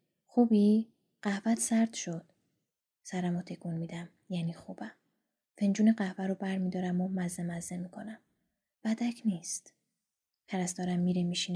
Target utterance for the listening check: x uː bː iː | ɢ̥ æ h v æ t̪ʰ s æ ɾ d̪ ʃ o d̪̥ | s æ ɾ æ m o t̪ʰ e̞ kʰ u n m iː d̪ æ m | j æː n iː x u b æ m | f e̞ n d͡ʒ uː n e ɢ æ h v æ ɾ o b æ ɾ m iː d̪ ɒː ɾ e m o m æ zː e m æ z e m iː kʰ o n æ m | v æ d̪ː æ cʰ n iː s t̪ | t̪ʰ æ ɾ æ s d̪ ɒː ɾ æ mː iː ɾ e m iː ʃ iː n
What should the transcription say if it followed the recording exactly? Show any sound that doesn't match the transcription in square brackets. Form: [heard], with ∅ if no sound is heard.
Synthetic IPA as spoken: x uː [b] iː | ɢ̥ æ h v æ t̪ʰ s æ ɾ d̪ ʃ o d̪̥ | s æ ɾ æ m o t̪ʰ e̞ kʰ u n m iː d̪ æ m | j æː n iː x u b æ m | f e̞ n d͡ʒ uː n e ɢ æ h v æ ɾ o b æ ɾ m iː d̪ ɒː ɾ [æ] m o m æ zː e m æ z e m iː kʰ o n æ m | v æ [d̪] æ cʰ n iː s t̪ | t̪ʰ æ ɾ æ s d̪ ɒː ɾ æ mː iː ɾ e m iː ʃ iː n